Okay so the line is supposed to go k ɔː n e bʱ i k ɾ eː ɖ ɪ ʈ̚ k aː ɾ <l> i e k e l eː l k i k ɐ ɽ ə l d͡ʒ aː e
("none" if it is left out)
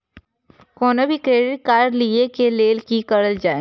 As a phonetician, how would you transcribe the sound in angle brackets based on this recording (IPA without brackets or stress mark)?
l